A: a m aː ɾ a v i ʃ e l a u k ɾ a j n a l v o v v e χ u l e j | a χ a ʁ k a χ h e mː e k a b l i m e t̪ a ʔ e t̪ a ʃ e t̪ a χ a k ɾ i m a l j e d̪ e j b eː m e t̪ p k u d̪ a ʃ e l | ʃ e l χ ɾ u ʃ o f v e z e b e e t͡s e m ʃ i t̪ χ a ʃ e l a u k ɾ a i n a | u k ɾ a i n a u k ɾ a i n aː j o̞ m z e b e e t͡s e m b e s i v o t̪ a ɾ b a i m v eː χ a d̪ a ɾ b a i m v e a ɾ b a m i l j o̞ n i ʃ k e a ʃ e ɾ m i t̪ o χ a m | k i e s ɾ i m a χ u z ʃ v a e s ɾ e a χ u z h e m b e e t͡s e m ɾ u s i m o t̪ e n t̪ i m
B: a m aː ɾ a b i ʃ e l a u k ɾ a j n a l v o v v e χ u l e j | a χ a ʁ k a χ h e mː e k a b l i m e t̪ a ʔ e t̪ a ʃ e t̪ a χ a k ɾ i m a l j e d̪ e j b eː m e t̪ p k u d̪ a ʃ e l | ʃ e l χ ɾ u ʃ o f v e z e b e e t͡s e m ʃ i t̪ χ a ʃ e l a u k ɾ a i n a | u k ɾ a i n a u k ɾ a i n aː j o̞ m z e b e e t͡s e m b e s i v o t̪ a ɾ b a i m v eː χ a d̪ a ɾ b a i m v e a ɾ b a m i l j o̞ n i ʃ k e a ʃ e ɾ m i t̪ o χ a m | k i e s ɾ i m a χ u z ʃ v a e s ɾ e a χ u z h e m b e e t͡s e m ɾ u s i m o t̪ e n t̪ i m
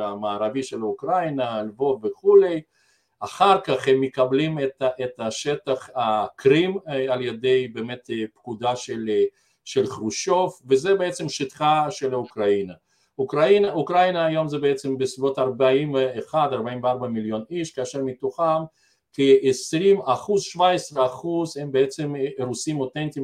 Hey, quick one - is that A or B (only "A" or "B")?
A